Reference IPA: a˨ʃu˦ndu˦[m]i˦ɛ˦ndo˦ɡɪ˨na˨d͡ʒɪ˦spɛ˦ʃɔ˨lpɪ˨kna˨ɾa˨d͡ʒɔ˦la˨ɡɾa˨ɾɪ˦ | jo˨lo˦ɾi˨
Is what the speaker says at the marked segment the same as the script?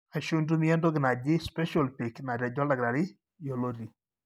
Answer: yes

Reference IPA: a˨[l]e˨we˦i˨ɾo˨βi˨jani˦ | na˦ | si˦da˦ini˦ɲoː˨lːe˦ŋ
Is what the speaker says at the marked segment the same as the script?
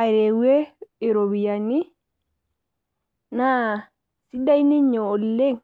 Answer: no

